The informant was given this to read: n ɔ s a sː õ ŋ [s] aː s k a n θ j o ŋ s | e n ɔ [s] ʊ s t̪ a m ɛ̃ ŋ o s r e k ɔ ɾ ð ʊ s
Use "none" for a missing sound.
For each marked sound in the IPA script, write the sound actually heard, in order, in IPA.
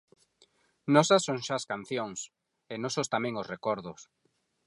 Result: ʃ, s

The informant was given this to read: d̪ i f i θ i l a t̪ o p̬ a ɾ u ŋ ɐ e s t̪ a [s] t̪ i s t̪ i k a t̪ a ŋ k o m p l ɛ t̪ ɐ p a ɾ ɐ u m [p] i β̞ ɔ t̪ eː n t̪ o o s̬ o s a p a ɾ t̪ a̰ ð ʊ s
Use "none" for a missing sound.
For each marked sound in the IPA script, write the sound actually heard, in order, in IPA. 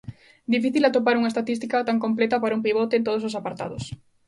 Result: none, p

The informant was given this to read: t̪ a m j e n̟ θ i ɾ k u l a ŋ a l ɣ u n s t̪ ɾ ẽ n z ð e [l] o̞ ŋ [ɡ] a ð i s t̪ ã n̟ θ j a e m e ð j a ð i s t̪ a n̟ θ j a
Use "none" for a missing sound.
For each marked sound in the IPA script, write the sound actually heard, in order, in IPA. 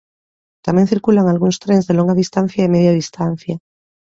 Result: l, ɡ

